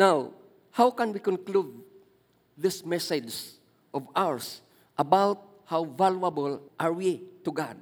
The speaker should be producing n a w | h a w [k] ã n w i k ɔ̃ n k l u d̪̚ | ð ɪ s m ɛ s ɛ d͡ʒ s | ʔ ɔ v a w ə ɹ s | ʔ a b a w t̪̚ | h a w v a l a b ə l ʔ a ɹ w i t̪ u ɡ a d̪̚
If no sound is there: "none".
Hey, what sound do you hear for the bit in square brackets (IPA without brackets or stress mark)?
k